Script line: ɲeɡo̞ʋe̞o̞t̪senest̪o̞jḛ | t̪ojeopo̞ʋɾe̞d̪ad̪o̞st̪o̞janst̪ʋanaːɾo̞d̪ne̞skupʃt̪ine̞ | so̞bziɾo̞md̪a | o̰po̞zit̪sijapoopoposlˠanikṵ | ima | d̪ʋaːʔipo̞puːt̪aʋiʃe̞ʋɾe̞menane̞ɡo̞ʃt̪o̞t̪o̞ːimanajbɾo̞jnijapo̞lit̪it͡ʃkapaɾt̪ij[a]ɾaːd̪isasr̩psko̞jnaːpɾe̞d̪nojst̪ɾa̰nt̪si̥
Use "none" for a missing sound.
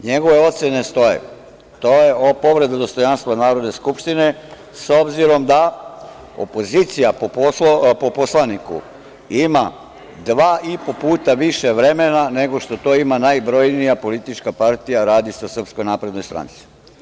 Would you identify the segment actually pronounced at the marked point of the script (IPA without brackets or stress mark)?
a